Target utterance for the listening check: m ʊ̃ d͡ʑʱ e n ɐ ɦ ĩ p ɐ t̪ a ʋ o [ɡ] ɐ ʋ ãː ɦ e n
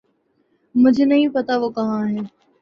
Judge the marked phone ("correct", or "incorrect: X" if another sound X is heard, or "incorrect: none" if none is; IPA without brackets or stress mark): incorrect: k